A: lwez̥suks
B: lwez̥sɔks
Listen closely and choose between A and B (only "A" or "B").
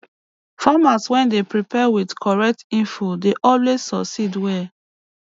B